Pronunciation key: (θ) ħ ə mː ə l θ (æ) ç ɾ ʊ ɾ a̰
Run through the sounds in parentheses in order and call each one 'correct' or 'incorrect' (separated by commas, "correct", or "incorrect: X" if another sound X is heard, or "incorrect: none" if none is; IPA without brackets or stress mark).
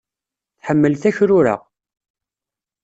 correct, correct